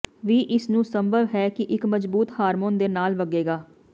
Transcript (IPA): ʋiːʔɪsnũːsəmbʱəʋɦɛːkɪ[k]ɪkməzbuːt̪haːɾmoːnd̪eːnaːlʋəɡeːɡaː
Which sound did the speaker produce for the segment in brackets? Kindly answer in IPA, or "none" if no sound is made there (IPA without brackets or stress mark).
ʔ